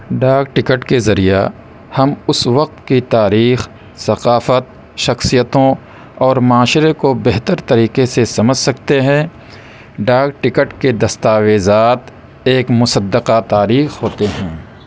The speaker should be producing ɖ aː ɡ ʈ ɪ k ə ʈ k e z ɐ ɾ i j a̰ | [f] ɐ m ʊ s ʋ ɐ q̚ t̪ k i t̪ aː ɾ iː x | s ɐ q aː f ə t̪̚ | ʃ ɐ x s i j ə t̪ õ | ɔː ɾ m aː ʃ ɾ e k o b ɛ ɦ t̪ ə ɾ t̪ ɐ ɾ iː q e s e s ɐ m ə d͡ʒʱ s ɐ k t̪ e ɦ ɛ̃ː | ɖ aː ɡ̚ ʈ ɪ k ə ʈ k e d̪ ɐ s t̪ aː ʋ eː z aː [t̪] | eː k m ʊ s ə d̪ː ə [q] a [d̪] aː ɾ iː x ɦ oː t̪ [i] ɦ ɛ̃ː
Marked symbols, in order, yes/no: no, yes, yes, no, no

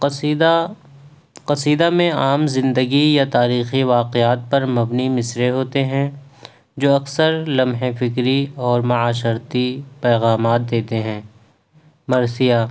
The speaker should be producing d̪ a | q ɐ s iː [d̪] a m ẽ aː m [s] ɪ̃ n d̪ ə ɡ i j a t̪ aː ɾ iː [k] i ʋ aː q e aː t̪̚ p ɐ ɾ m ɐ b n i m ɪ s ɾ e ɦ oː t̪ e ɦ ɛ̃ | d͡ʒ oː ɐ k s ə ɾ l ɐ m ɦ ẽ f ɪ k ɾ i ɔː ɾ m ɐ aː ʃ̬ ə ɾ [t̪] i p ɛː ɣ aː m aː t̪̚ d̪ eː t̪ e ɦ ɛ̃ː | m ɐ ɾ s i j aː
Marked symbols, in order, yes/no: yes, no, no, yes

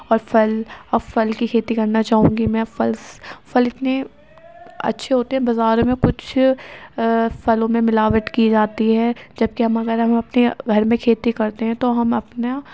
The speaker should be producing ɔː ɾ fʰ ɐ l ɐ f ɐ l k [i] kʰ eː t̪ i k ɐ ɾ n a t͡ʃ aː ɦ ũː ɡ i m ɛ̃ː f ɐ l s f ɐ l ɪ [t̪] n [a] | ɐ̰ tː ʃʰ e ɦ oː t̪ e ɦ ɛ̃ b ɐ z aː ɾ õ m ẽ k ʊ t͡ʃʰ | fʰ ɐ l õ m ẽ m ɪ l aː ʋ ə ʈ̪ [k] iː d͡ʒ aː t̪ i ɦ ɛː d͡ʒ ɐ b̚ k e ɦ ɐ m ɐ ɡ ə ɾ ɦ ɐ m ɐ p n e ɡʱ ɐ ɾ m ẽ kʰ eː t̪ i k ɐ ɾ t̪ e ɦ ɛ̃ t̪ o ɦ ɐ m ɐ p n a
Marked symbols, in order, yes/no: yes, yes, no, yes

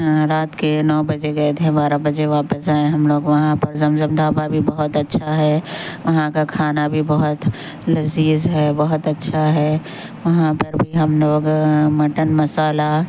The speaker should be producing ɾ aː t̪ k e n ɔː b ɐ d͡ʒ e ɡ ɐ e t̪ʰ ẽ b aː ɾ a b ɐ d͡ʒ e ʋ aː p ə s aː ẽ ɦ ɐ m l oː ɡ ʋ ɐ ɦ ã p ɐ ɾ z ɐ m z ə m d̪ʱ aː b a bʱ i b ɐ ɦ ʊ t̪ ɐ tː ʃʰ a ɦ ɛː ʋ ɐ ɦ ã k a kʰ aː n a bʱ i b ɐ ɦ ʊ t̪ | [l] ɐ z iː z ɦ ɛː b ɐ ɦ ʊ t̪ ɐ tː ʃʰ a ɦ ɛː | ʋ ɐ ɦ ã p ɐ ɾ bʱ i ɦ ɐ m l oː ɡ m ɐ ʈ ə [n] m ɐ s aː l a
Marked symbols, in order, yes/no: yes, yes

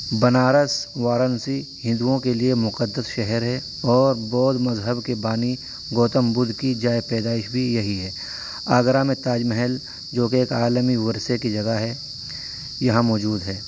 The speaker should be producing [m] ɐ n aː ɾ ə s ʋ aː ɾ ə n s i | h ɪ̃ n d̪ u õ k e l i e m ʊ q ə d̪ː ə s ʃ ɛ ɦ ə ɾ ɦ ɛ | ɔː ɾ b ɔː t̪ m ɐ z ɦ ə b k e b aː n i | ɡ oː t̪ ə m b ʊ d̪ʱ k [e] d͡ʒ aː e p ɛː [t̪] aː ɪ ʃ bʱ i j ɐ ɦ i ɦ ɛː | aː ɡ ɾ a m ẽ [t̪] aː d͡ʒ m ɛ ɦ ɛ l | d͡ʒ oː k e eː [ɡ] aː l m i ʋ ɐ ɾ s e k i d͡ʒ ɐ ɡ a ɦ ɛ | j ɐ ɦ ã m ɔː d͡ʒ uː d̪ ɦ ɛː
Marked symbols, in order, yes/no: no, no, no, yes, no

